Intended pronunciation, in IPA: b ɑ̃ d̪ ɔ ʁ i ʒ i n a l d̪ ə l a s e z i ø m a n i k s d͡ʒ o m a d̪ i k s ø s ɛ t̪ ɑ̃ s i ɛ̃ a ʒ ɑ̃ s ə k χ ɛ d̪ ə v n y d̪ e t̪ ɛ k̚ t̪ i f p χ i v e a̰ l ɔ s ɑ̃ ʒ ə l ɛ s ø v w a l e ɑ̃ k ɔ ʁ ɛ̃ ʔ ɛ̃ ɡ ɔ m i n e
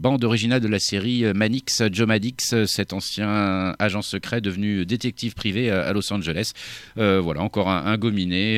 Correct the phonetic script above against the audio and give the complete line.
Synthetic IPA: b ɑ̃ d̪ ɔ ʁ i ʒ i n a l d̪ ə l a s e ʁ i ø m a n i k s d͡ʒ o m a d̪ i k s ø s ɛ t̪ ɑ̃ s j ɛ̃ a ʒ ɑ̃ s ə k χ ɛ d̪ ə v n y d̪ e t̪ ɛ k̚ t̪ i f p χ i v e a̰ l ɔ s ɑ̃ ʒ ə l ɛ s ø v w a l a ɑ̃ k ɔ ʁ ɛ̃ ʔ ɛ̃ ɡ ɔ m i n e